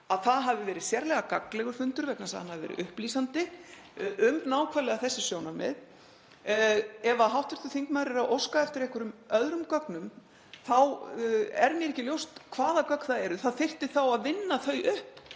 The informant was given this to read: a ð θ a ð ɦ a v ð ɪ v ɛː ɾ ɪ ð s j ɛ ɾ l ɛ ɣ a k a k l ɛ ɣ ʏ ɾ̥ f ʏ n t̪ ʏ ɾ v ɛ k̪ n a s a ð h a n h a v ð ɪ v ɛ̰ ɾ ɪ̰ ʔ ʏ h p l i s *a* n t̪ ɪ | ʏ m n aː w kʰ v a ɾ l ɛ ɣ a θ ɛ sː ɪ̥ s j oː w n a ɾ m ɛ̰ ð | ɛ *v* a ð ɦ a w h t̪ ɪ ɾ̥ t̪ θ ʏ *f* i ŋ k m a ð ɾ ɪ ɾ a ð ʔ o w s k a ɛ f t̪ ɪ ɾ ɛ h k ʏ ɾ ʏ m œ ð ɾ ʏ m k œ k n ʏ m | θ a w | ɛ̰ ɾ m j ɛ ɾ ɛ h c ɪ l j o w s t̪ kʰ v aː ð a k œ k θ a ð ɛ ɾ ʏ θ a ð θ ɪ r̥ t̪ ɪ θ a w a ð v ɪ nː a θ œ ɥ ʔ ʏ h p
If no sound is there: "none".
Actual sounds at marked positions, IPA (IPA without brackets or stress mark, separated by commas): a, v, θ